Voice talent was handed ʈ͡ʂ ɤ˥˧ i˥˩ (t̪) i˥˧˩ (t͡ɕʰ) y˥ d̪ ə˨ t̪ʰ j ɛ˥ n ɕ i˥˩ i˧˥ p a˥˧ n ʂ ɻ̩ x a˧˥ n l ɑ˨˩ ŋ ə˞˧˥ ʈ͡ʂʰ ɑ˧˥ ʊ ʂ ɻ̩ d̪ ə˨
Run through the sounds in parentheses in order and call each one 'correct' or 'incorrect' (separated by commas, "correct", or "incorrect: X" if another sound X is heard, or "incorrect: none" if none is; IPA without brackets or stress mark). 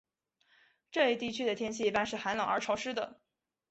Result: correct, correct